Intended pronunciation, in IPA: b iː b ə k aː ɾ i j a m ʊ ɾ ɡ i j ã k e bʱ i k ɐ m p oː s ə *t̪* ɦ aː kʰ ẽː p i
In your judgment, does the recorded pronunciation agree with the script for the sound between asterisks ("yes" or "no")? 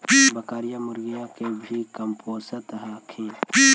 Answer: yes